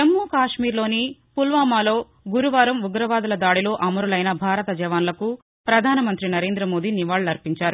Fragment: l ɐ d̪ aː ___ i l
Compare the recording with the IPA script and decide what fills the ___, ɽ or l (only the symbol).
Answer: ɽ